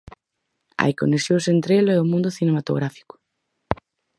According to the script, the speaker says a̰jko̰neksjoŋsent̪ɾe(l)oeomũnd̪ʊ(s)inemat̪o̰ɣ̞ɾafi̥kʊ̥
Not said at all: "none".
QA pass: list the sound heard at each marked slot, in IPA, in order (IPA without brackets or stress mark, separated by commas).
l, θ